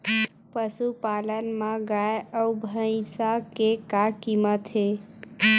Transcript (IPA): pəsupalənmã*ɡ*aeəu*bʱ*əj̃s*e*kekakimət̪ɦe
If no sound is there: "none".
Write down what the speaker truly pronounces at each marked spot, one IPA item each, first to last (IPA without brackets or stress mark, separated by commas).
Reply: ɡ, bʱ, a